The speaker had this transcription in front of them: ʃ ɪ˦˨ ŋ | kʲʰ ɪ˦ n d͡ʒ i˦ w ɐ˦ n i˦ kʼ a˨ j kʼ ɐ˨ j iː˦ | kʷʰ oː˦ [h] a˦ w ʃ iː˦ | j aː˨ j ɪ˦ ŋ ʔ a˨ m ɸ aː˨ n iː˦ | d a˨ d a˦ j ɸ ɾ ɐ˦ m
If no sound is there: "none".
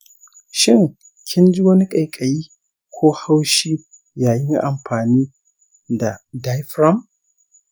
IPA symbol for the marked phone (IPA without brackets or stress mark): h